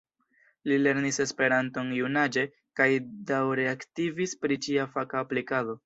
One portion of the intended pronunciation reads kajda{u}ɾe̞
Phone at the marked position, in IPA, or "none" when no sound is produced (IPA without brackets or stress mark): w